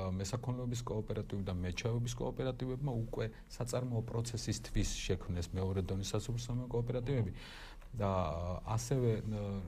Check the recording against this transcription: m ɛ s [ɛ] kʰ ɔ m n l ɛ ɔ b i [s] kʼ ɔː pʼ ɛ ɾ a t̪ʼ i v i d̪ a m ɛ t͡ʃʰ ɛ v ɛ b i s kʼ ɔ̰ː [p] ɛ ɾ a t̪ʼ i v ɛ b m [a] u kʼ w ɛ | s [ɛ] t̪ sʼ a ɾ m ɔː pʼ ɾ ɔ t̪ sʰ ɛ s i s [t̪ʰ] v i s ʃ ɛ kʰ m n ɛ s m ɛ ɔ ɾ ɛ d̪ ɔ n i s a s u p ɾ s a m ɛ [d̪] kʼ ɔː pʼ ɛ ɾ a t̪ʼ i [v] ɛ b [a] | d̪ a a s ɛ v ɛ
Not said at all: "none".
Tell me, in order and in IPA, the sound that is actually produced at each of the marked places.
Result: a, s, pʼ, a, a, t̪ʰ, none, v, i

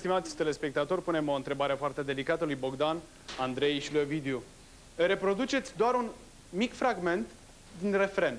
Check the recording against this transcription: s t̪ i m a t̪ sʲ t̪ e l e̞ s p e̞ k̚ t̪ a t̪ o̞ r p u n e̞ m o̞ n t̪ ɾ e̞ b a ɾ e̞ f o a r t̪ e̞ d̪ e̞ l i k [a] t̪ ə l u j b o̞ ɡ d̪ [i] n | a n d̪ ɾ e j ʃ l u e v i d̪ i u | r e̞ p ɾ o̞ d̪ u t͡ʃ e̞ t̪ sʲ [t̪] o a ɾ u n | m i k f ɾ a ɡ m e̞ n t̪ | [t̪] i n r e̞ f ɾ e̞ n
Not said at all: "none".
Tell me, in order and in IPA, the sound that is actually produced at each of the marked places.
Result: a, a, d̪, d̪

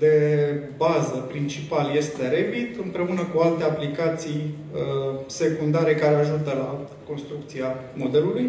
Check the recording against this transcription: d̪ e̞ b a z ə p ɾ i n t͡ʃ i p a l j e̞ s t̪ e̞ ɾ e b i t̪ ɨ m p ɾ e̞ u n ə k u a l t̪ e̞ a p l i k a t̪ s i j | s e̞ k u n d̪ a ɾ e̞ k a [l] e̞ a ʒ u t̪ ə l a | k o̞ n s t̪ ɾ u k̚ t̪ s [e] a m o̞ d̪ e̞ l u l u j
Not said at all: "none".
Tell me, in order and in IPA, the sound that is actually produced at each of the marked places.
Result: ɾ, i

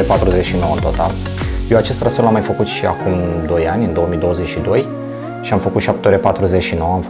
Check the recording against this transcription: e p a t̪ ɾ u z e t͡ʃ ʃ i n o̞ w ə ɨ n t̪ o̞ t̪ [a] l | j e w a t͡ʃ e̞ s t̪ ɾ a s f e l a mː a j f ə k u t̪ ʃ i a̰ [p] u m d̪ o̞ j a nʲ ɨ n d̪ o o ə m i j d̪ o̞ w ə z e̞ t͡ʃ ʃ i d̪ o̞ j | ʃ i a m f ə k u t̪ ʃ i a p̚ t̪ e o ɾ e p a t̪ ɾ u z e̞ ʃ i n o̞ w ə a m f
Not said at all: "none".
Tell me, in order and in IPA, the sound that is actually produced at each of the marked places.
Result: a, k

